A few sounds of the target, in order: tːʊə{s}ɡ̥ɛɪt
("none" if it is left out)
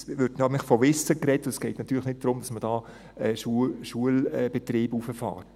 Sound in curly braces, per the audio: s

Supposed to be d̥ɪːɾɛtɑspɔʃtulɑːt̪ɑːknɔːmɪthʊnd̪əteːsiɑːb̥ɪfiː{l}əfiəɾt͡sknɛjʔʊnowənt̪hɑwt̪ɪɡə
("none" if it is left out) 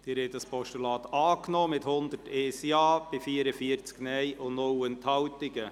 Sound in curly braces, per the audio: ɾ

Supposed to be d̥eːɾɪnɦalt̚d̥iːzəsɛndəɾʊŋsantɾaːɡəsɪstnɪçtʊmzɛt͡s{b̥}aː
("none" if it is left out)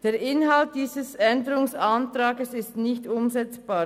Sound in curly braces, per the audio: b̥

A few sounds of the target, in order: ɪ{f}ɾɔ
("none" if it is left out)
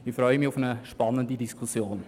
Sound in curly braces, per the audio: f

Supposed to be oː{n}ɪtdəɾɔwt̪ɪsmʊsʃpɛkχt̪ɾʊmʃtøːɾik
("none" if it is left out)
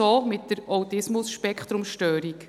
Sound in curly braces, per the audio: m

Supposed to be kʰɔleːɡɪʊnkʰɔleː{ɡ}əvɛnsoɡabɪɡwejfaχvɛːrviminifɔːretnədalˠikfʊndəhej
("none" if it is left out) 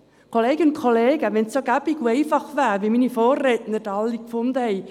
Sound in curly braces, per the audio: ɡ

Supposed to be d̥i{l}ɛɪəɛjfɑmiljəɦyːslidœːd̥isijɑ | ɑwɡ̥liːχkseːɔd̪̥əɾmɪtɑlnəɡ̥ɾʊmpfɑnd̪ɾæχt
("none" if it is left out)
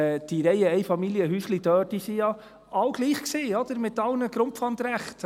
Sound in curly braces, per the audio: ɾ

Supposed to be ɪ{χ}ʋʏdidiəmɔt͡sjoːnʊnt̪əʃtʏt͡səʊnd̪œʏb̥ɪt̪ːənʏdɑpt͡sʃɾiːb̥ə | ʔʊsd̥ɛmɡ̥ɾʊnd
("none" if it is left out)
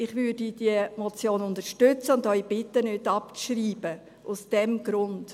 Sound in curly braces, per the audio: χ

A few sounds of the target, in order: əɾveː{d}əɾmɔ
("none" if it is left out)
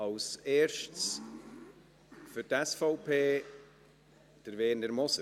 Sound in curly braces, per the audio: n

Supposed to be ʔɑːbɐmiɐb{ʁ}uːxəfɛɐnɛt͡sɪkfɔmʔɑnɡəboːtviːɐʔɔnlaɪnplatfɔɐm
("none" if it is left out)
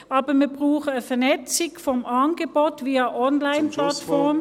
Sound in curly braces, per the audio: ʁ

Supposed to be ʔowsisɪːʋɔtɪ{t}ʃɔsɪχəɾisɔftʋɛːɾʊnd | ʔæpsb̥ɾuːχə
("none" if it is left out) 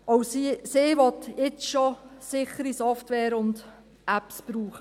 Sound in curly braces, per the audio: t͡s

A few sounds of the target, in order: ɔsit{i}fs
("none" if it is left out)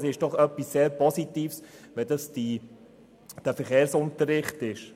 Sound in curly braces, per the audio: iː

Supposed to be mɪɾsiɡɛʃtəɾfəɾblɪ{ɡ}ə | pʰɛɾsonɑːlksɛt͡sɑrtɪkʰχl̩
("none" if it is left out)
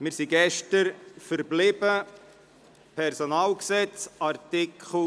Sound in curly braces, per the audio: b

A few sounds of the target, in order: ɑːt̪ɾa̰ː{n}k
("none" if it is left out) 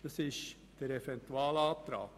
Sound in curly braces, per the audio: none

